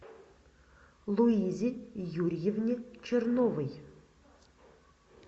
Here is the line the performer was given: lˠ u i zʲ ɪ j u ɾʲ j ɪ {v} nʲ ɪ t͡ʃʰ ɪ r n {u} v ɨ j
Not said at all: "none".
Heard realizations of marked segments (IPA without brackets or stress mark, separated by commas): v, o